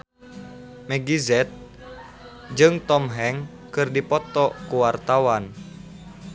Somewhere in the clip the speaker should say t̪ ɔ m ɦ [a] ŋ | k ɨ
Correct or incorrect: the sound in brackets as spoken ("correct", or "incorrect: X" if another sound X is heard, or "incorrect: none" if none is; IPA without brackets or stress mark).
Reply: incorrect: ɛ